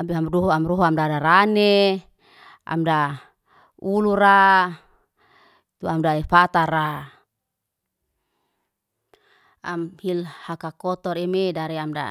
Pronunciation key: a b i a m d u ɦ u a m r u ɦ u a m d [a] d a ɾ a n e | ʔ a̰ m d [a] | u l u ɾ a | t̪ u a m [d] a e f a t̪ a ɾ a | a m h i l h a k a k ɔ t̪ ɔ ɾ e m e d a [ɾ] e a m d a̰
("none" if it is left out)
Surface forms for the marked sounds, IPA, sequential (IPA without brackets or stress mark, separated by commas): a, a, d, ɾ